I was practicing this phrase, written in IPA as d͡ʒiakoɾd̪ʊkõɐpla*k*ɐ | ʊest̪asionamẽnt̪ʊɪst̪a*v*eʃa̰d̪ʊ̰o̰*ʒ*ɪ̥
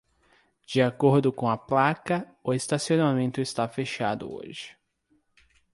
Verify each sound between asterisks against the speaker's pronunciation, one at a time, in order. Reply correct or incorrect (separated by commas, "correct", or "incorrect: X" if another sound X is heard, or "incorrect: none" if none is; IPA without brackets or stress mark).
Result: correct, incorrect: f, correct